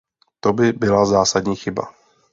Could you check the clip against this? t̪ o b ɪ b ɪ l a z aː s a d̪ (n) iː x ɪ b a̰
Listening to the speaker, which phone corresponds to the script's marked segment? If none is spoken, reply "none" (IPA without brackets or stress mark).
ɲ